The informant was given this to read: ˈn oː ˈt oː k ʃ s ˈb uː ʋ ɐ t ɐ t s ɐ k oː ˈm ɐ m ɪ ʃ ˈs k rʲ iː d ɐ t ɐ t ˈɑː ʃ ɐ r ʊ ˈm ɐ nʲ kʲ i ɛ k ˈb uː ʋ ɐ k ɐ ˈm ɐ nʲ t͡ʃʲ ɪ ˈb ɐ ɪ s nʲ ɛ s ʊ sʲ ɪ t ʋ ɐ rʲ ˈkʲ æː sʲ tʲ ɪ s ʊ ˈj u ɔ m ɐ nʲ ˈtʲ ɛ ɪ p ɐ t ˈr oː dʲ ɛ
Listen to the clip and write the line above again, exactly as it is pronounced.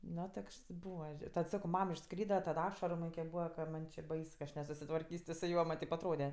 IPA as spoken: ˈn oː ˈt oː k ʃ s ˈb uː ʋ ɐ t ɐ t s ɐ k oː ˈm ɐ m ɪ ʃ ˈs k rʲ iː d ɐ t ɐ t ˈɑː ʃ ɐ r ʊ ˈm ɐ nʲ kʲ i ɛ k ˈb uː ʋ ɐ k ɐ ˈm ɐ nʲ t͡ʃʲ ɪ ˈb ɐ ɪ s nʲ ɛ s ʊ sʲ ɪ t ʋ ɐ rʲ ˈkʲ iː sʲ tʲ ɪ s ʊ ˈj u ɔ m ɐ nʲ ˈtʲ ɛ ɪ p ɐ t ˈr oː dʲ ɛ